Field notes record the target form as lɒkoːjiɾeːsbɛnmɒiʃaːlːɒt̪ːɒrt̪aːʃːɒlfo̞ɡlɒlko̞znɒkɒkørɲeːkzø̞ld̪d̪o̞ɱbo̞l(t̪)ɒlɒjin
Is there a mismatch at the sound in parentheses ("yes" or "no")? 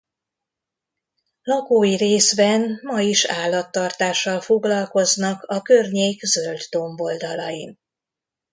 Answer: yes